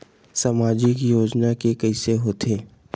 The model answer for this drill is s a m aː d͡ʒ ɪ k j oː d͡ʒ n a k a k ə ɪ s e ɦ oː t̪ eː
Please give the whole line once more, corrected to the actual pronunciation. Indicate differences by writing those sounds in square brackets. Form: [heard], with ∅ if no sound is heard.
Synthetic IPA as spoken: s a m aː d͡ʒ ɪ k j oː d͡ʒ n a k [e] k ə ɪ s e ɦ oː t̪ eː

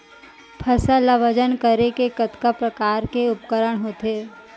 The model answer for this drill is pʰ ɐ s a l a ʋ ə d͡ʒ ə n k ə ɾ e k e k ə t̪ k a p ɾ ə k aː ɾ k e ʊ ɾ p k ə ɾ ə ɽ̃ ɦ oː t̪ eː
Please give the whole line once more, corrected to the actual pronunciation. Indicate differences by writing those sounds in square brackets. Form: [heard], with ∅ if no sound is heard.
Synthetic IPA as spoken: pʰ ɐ s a l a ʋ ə d͡ʒ ə n k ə ɾ e k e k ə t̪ k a p ɾ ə k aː ɾ k e ʊ [∅] p k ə ɾ ə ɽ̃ ɦ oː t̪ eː

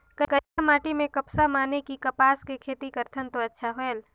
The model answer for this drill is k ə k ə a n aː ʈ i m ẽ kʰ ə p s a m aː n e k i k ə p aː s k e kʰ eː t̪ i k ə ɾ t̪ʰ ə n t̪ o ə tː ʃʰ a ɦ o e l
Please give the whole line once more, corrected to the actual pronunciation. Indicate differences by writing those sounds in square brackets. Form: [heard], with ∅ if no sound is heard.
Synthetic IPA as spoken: k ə k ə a [m] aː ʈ i m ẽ [k] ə p s a m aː n e k i k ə p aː s k e kʰ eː t̪ i k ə ɾ t̪ʰ ə n t̪ o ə tː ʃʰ a ɦ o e l

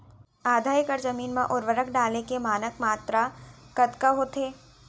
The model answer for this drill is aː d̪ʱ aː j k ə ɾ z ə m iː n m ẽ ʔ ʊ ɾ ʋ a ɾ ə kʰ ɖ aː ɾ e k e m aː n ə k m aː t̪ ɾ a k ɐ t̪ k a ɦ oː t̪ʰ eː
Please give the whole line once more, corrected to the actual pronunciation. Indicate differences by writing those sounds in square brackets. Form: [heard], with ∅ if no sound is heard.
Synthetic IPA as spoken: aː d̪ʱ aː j k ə ɾ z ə m iː n m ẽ ʔ ʊ ɾ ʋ [ə] ɾ ə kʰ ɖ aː [l] e k e m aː n ə k m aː t̪ ɾ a k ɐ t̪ k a ɦ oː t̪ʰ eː

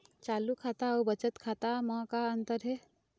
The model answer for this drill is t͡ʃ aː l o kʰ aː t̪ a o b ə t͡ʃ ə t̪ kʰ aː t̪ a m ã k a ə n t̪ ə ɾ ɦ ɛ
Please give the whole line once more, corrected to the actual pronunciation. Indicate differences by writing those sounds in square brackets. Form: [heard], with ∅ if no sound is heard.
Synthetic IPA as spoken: t͡ʃ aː l [u] kʰ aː t̪ a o b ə t͡ʃ ə t̪ kʰ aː t̪ a m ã k a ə n t̪ ə ɾ ɦ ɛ

